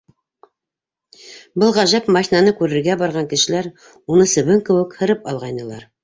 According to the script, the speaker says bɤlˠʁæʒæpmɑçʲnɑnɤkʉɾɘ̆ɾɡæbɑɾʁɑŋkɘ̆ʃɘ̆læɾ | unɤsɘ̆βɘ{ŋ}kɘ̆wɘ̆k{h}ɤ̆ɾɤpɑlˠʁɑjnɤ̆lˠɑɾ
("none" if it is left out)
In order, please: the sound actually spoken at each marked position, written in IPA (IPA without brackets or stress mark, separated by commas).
ŋ, h